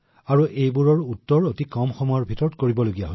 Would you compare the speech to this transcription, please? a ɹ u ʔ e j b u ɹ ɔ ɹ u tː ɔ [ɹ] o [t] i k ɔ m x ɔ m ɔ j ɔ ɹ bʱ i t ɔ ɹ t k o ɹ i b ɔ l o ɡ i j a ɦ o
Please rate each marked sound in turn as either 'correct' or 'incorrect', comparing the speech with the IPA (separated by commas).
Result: correct, correct